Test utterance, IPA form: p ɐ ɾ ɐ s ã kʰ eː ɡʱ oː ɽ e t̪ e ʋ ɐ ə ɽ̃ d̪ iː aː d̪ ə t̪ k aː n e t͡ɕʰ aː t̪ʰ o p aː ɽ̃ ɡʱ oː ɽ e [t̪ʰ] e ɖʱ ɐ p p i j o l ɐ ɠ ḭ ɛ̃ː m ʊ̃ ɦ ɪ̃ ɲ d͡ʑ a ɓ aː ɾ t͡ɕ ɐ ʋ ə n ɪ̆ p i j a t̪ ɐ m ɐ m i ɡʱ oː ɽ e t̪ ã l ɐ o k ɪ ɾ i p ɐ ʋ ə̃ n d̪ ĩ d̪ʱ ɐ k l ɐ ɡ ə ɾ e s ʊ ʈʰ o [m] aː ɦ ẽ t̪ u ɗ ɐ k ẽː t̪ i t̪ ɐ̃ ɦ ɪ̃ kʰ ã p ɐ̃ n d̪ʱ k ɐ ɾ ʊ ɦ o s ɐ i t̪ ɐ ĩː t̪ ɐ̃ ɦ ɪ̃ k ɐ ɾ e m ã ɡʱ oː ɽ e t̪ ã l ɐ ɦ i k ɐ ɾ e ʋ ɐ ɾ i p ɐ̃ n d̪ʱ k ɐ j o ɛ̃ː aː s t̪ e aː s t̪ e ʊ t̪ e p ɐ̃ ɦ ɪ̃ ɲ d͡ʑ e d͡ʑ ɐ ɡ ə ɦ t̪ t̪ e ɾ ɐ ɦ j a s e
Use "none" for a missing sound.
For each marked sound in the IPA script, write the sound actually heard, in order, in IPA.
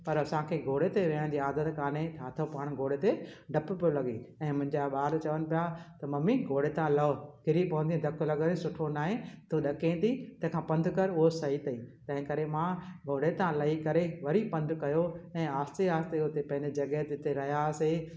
t̪, n

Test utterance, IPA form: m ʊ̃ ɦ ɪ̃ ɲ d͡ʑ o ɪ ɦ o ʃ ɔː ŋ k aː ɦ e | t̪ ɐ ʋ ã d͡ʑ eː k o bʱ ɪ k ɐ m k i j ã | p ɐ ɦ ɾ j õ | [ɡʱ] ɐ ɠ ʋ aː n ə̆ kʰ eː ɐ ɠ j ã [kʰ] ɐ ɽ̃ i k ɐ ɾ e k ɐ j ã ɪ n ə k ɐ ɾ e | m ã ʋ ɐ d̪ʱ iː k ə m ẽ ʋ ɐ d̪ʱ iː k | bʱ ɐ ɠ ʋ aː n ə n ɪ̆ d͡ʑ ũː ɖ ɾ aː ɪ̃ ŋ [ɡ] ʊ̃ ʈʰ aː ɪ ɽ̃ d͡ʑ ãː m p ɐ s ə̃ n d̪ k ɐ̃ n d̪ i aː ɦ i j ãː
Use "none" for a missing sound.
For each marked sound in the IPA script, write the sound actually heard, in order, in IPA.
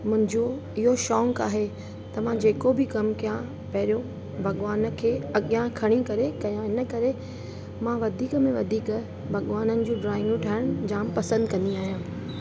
bʱ, kʰ, ɡ

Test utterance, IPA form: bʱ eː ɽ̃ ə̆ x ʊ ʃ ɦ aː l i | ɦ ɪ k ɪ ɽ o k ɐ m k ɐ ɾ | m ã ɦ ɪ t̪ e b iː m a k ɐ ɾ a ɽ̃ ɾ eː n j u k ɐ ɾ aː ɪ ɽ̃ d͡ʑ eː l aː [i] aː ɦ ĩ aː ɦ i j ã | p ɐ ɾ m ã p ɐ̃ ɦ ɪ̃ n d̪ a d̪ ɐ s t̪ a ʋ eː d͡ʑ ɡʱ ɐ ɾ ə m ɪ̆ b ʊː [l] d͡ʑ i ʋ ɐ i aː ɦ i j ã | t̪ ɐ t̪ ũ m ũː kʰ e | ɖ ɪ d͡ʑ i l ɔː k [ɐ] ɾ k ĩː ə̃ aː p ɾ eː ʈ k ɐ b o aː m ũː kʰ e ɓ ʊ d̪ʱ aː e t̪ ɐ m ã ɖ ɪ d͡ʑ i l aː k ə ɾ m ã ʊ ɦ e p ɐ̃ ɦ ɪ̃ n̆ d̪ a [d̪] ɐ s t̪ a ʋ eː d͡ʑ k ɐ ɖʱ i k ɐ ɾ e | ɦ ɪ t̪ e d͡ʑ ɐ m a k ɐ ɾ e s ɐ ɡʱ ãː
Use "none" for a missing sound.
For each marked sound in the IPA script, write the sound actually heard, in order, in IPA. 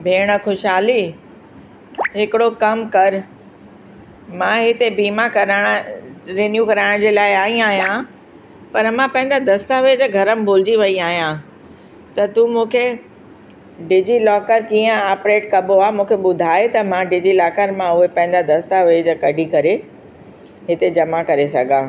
ɪ, l, ə, d̪

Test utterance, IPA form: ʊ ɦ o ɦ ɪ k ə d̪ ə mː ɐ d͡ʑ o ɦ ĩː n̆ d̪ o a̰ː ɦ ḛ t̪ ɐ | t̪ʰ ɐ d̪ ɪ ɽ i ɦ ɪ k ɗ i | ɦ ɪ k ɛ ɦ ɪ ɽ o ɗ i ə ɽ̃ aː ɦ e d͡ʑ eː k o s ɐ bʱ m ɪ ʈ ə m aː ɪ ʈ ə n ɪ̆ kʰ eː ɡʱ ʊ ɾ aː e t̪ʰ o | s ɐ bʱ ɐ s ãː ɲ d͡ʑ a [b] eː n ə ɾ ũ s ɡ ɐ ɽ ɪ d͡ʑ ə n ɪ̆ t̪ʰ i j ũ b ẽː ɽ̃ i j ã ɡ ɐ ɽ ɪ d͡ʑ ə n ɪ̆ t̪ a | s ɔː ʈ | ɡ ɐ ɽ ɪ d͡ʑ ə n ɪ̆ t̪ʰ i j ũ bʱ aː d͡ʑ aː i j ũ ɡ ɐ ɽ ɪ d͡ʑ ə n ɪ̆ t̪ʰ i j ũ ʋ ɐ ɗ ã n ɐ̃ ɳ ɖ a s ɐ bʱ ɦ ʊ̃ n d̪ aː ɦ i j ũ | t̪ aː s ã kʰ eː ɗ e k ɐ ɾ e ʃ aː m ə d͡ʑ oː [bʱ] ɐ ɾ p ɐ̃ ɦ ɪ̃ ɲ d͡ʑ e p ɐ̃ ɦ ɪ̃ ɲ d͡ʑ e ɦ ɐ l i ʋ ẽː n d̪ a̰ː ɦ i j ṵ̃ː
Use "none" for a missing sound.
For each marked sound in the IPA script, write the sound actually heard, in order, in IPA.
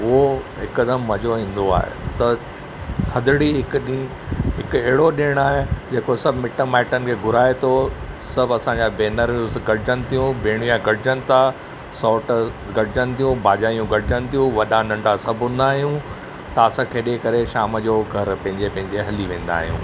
b, ɡʱ

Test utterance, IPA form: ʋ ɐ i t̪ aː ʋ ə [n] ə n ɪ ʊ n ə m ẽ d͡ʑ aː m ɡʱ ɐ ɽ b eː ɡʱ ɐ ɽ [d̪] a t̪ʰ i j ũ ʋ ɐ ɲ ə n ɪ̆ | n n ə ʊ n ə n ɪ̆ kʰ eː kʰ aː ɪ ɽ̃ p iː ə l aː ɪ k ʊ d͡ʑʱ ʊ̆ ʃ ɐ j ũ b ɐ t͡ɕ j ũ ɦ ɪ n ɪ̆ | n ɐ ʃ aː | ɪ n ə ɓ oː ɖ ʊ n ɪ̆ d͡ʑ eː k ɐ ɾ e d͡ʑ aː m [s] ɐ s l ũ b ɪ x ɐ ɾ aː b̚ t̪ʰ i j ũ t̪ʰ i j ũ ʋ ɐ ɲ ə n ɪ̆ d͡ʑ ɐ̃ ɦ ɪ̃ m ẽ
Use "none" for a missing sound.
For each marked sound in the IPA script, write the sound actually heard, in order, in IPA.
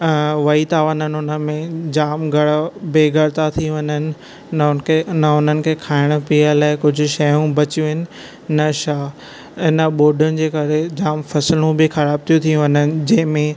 n, t̪, f

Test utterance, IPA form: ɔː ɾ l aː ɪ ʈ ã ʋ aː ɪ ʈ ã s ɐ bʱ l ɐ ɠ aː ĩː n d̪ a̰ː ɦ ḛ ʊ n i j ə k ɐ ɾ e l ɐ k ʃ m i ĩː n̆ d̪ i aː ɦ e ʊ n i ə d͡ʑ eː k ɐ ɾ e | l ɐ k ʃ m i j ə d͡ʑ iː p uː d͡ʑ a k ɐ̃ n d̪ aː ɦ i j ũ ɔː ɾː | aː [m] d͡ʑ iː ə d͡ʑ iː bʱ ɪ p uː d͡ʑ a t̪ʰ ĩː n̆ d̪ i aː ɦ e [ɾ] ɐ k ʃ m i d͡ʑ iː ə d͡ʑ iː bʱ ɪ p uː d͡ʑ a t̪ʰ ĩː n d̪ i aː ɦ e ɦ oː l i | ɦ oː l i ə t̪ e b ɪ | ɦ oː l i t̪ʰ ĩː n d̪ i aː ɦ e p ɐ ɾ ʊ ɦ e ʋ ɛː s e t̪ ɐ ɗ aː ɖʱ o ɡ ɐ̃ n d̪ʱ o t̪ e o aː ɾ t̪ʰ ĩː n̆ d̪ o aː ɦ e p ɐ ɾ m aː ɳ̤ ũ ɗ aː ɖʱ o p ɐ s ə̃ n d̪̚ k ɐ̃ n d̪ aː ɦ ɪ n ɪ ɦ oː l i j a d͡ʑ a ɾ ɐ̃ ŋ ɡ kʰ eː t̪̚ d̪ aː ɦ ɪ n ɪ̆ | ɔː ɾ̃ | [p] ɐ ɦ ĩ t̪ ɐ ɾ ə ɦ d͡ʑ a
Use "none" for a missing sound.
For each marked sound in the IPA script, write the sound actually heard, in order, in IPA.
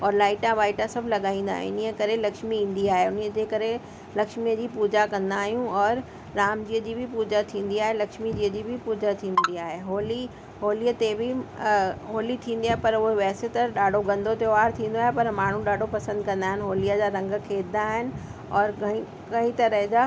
m, l, k

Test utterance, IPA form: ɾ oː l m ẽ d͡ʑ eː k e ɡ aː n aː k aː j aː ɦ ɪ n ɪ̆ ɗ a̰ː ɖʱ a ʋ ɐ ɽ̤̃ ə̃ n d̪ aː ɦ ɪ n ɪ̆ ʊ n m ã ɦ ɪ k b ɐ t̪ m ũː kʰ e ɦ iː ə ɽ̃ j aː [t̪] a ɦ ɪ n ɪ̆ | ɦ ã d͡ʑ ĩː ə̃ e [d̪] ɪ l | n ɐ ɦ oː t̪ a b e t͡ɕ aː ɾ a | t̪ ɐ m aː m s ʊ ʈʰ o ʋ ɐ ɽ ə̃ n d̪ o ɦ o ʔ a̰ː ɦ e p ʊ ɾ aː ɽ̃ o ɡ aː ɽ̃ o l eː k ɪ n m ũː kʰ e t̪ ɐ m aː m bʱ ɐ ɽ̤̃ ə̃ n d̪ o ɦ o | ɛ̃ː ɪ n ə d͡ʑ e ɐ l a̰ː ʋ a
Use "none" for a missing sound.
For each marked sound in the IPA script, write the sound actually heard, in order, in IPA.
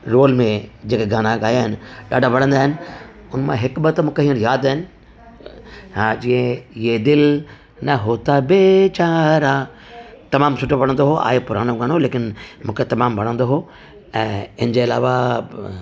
d̪, d̪

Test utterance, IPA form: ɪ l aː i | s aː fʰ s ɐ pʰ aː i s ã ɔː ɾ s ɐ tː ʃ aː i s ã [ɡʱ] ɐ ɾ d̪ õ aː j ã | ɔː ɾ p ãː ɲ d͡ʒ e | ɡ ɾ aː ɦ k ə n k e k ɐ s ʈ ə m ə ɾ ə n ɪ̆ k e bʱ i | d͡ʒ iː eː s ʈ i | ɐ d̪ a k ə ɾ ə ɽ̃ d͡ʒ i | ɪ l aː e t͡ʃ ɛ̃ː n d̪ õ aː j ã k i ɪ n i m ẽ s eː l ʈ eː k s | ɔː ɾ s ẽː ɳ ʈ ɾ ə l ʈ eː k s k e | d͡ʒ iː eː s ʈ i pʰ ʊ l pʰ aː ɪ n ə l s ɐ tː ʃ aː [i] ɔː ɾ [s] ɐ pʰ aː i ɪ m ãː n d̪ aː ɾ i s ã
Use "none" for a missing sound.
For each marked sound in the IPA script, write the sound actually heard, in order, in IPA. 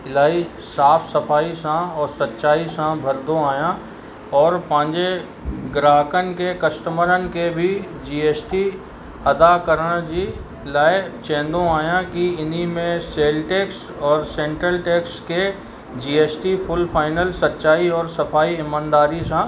bʱ, i, s

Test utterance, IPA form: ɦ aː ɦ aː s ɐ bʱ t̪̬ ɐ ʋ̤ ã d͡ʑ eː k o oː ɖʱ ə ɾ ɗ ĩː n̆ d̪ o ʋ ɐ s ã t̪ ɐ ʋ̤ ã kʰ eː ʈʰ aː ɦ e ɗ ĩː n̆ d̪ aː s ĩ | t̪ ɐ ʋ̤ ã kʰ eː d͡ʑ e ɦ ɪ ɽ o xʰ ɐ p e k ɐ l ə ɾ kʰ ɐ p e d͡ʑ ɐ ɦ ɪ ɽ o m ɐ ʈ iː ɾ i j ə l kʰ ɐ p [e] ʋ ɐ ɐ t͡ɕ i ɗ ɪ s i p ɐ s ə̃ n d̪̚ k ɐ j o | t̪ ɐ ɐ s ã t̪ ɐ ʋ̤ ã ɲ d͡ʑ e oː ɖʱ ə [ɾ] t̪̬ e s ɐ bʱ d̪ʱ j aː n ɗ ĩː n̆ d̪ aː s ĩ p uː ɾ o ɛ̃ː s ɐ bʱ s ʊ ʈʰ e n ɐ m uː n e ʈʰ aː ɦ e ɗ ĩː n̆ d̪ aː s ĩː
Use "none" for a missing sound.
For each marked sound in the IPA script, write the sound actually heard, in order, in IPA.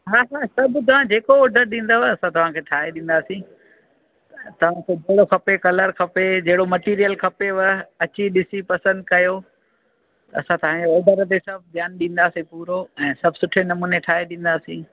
e, ɾ

